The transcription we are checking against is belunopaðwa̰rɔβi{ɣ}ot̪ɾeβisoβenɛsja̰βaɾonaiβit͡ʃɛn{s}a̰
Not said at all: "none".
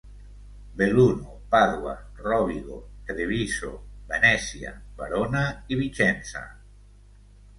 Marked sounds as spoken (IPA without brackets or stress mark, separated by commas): ɣ, s